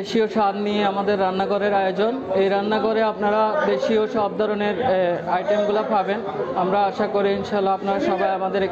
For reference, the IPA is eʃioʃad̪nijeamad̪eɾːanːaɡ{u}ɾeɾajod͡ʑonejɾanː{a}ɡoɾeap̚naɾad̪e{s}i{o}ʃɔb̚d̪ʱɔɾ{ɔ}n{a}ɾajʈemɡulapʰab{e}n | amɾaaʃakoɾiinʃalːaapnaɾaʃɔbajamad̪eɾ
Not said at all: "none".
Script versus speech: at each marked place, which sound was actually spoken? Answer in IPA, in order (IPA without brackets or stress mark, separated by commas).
o, a, ʃ, o, o, e, e